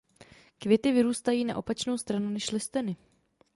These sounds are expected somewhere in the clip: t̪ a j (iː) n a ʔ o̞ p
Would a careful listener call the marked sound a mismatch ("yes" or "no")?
no